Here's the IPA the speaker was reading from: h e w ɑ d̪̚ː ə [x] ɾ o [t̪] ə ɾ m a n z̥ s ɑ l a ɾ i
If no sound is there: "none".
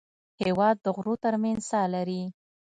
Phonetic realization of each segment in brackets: ɣ, t̪

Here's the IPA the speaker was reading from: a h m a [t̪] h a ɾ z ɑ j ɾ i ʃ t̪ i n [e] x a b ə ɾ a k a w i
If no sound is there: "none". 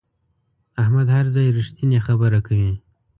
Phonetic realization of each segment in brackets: d̪, e

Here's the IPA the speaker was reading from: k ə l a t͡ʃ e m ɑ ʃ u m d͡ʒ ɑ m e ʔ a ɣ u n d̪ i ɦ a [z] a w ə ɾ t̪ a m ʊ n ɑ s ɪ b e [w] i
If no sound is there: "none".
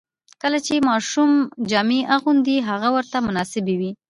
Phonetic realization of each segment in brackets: ɣ, w

